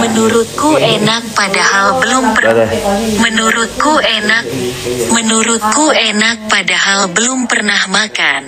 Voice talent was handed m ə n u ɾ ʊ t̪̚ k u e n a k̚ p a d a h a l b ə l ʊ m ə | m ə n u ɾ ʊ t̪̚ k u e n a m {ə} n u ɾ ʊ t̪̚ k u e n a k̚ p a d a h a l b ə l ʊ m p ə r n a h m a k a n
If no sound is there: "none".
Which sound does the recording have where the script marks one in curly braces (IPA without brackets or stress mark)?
ə